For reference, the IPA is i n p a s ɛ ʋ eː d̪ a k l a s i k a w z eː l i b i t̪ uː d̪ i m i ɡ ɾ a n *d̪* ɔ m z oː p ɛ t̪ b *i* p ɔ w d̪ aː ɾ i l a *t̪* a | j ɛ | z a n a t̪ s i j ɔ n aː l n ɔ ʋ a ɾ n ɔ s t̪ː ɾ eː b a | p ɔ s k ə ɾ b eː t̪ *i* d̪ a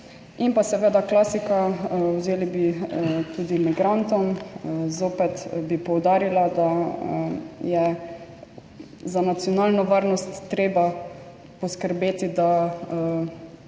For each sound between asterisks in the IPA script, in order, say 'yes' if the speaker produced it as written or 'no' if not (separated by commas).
no, yes, no, yes